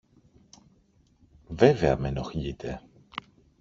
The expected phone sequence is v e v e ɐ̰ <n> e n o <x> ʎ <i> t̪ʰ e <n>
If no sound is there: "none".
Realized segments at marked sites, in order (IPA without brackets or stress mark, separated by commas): m, x, i, none